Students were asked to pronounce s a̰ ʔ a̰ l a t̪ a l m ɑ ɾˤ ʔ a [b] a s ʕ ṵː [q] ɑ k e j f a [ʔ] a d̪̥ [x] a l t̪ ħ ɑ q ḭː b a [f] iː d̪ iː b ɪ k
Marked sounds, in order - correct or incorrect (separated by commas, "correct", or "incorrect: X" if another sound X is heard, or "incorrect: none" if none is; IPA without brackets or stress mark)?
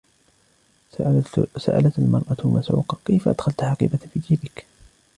incorrect: m, correct, correct, correct, correct